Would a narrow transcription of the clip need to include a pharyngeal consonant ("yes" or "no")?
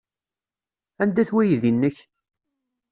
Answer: no